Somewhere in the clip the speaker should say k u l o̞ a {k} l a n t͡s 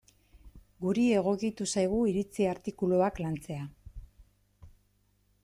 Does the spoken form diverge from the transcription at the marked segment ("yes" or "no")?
no